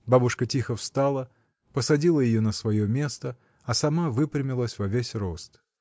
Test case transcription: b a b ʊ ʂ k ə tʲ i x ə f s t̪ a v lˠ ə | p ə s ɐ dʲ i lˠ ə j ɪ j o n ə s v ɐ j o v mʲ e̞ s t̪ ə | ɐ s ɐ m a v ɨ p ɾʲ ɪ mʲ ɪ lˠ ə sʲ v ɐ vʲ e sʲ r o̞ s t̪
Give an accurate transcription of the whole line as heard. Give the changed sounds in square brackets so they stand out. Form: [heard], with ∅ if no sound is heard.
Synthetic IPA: b a b ʊ ʂ k ə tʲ i x ə f s t̪ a [∅] lˠ ə | p ə s ɐ dʲ i lˠ ə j ɪ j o n ə s v ɐ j o [∅] mʲ e̞ s t̪ ə | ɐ s ɐ m a v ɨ p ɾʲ ɪ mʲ ɪ lˠ ə sʲ v ɐ vʲ e sʲ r o̞ s t̪